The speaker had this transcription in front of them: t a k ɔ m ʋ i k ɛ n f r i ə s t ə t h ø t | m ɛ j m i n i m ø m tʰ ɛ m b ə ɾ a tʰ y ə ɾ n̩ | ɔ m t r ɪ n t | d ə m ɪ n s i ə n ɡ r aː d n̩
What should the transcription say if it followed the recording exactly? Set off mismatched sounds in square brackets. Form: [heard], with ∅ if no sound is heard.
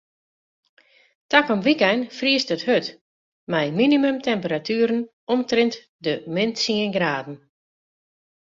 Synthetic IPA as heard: t a k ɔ m ʋ i k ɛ n f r i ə s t ə t h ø t | m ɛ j m i n i m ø m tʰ ɛ m [p] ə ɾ a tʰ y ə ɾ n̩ | ɔ m t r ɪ n t | d ə m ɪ n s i ə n ɡ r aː d n̩